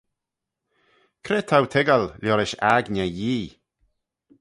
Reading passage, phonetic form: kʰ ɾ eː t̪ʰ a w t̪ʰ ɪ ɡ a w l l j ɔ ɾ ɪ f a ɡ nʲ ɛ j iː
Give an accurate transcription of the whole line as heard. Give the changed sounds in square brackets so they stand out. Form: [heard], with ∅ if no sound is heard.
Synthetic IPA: kʰ ɾ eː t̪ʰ a w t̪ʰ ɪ ɡ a [∅] l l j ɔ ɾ ɪ [ʃ] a ɡ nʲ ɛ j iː